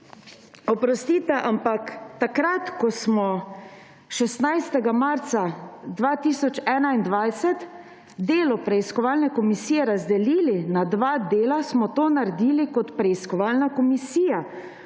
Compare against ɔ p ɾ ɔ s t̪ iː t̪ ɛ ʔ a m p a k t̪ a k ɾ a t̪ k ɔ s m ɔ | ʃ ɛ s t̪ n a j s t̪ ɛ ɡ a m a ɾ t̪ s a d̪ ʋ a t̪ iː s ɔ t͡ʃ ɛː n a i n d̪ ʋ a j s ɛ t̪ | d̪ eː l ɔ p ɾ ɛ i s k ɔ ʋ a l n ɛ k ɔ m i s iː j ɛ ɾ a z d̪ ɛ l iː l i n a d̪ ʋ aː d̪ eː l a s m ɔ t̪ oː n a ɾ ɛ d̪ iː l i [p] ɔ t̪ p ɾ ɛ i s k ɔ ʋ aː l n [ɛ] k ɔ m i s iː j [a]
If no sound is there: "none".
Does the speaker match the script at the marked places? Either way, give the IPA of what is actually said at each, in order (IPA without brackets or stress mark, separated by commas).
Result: k, a, a